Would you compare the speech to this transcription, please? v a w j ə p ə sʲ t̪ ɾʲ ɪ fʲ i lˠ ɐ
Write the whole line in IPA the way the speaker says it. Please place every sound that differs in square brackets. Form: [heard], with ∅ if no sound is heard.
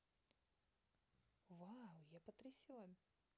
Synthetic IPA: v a w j [a] p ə [∅] t̪ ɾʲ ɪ [sʲ] i lˠ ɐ